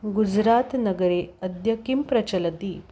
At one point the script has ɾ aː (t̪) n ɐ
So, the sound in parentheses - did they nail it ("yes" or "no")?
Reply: yes